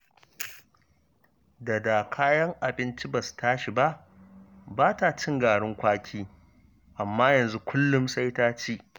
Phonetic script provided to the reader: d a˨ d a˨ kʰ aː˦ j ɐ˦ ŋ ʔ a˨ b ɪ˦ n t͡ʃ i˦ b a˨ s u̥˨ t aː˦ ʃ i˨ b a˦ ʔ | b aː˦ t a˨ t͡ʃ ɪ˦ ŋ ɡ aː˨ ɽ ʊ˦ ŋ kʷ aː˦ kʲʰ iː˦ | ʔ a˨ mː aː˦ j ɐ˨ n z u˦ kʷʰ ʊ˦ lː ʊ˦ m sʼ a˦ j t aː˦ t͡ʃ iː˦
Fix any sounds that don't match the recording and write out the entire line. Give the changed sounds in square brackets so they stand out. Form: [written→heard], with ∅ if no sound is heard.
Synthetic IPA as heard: d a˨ d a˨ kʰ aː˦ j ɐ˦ ŋ ʔ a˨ b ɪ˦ n t͡ʃ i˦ b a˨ s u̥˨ t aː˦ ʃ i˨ b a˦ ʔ | b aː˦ t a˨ t͡ʃ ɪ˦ ŋ ɡ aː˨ ɽ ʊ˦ ŋ kʷ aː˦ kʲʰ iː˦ | ʔ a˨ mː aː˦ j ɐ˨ n z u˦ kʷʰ ʊ˦ lː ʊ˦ m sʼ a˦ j t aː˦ t͡ʃ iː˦